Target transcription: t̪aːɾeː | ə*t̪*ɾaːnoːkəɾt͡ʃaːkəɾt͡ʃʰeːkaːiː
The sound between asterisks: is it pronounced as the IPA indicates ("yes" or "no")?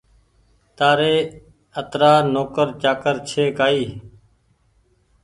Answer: yes